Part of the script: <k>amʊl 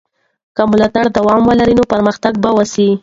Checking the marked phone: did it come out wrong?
no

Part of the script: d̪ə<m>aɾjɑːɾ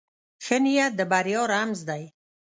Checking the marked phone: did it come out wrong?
yes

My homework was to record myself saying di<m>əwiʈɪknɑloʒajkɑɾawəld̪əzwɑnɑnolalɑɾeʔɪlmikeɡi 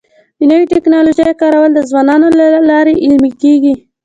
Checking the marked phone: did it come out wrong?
yes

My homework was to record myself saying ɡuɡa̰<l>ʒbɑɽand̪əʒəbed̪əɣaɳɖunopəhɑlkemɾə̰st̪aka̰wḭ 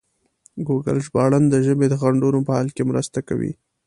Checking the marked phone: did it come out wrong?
no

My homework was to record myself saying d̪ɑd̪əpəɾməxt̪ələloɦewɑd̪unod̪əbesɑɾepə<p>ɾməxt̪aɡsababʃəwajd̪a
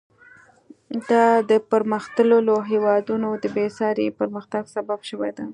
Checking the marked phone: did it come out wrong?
yes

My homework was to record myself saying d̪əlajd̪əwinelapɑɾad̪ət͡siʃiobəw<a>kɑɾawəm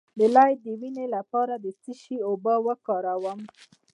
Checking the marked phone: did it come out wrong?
yes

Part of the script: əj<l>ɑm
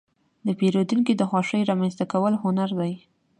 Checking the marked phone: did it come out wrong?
yes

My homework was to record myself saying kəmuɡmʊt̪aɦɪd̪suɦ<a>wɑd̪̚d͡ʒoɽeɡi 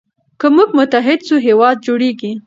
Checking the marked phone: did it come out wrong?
yes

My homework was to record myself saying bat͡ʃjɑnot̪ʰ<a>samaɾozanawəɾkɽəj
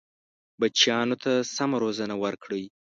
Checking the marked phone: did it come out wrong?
no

